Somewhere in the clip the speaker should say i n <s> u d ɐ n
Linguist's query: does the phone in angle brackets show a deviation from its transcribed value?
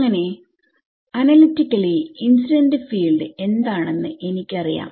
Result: no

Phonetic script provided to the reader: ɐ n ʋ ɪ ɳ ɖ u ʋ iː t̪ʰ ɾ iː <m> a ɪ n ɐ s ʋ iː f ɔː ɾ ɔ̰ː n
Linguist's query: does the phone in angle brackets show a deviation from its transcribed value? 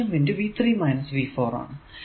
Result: no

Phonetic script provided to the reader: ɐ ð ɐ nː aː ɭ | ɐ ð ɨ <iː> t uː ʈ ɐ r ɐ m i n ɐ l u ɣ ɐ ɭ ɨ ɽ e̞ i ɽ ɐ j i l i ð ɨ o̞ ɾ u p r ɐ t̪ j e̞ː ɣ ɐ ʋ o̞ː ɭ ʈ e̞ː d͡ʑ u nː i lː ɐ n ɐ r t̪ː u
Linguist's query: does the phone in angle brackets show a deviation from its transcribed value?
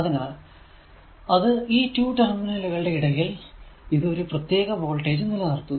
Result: no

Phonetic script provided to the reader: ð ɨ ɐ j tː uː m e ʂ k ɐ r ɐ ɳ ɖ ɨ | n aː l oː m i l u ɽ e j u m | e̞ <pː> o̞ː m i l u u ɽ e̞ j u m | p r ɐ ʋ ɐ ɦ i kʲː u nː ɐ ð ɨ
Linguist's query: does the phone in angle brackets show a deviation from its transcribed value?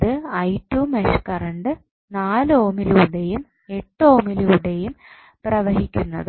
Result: yes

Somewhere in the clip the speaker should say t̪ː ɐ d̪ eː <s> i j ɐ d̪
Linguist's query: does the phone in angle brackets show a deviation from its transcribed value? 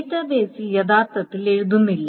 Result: no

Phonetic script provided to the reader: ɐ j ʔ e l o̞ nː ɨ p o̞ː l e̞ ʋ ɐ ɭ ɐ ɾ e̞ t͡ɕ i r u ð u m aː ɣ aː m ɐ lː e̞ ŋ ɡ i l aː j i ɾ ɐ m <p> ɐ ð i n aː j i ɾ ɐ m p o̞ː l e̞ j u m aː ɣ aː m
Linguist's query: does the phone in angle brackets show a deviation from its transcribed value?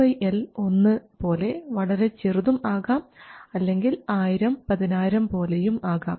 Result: no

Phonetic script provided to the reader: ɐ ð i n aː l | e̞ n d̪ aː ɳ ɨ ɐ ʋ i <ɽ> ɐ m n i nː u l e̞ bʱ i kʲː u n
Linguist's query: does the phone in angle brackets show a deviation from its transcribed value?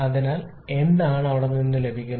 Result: no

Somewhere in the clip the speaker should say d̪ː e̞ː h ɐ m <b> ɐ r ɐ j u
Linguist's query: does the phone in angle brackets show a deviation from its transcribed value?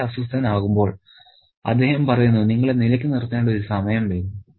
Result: yes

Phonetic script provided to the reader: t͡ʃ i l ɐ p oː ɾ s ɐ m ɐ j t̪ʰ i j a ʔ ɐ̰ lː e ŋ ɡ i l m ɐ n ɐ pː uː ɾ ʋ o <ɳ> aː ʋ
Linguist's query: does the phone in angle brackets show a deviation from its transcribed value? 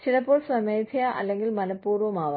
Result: yes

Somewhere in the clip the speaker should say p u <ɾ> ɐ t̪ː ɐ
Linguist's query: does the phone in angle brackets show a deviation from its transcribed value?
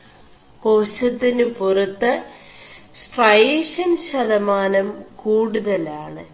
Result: yes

